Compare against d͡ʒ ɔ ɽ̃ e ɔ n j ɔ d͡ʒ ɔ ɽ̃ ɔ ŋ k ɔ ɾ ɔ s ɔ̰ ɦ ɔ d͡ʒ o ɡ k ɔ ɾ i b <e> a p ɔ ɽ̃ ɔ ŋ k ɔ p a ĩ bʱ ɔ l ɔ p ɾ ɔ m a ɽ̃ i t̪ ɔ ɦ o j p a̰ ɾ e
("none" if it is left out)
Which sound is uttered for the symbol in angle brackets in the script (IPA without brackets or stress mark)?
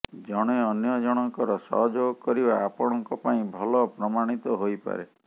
a